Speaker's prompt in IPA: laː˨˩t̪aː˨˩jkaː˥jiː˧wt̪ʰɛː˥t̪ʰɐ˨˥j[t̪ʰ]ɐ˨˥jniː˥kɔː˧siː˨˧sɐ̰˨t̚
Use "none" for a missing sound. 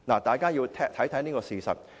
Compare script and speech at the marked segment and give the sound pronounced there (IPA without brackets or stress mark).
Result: t̪ʰ